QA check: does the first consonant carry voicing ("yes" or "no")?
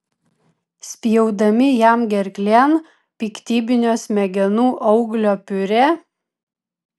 no